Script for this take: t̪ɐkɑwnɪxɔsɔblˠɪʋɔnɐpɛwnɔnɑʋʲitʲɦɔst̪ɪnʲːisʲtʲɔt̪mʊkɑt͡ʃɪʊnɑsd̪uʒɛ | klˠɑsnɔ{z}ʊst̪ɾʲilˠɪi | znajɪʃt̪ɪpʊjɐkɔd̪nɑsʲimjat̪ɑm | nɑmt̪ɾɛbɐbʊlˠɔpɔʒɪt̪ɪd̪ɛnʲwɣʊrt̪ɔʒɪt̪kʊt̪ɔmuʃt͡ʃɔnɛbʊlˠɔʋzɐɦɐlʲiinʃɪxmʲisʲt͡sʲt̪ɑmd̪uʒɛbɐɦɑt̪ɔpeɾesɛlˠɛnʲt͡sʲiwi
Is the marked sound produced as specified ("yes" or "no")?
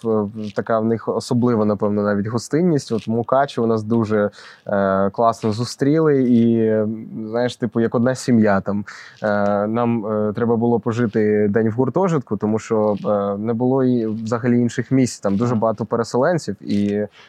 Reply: yes